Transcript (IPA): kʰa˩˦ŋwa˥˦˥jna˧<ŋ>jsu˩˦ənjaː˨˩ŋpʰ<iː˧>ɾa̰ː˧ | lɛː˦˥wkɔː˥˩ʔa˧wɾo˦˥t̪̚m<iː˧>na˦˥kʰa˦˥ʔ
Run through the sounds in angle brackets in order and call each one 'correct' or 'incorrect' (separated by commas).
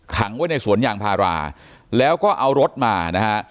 incorrect, incorrect, incorrect